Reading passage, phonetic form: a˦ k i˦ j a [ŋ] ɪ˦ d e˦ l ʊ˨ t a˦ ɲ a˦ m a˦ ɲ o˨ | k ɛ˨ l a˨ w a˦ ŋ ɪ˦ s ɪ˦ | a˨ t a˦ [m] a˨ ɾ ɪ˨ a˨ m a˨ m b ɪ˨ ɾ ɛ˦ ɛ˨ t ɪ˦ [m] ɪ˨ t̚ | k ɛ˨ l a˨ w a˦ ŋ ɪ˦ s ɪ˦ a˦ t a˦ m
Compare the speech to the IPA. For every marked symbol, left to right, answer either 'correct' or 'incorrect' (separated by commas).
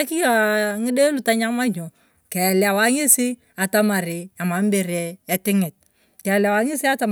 correct, correct, incorrect